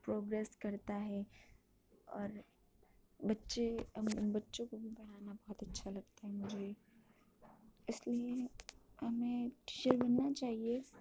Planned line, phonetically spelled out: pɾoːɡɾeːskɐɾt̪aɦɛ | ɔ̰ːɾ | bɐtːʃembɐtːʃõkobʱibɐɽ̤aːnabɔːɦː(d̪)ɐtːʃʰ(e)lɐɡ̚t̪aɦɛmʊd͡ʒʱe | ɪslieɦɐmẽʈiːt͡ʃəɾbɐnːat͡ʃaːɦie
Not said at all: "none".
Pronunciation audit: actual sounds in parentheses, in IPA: t̪, a

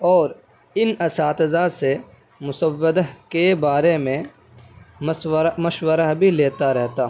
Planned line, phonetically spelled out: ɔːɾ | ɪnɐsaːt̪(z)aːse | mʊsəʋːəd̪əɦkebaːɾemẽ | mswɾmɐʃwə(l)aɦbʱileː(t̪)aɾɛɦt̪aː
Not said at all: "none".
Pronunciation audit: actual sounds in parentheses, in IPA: z, ɾ, t̪

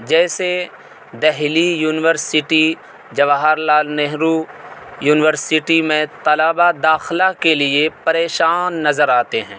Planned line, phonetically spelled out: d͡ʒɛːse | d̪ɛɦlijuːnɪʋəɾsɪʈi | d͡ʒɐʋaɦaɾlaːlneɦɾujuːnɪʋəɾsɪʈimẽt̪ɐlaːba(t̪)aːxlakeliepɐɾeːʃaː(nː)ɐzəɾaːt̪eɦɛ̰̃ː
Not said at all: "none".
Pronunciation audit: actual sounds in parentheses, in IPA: d̪, nː

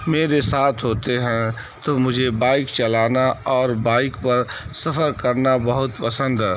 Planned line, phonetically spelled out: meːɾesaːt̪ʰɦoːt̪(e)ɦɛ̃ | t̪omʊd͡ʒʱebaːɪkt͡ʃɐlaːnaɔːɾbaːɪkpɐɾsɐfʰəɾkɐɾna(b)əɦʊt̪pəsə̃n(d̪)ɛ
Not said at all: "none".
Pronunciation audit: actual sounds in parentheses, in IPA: e, b, d̪

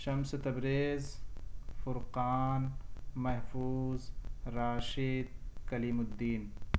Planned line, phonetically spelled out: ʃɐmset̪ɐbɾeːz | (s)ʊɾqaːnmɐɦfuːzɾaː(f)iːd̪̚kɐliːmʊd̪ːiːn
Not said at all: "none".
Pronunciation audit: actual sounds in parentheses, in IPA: f, ʃ

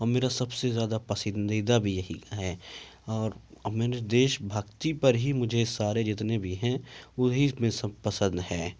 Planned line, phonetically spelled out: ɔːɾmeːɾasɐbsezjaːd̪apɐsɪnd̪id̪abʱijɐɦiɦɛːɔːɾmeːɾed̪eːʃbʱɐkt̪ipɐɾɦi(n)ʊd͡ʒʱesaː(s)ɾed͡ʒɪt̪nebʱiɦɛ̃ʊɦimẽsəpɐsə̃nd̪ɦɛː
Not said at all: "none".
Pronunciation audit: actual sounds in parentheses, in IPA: m, none

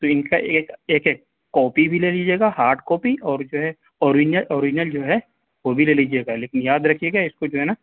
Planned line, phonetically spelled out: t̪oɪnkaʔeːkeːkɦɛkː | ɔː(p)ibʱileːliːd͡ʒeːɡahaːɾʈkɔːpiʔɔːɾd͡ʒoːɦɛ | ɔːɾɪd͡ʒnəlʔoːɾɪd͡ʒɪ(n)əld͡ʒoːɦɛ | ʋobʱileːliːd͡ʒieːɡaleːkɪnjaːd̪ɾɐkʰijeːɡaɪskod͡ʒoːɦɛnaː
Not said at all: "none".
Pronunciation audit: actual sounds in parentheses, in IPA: p, n

